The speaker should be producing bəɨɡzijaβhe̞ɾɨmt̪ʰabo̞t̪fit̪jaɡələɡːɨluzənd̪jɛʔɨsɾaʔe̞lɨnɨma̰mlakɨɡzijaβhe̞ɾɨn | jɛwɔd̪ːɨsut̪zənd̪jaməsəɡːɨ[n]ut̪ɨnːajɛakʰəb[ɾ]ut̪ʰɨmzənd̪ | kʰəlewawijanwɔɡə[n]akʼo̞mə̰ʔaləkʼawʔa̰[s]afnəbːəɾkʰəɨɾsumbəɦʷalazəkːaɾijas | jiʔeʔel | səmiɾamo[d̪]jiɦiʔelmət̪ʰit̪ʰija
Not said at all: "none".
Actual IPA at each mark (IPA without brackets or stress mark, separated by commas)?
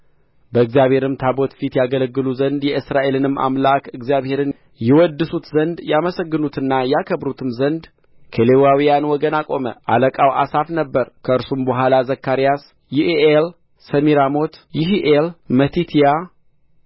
n, ɾ, n, s, t̪